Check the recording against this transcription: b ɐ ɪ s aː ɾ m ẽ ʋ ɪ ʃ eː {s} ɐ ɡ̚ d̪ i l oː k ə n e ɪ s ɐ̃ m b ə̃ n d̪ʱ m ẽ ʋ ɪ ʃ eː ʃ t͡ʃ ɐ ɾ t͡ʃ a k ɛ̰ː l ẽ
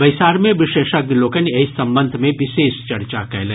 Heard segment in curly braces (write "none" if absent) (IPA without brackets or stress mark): ʃ